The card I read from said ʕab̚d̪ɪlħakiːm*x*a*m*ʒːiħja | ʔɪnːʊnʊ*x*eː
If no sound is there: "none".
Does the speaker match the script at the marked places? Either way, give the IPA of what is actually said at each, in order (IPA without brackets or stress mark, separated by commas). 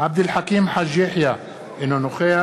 ħ, none, x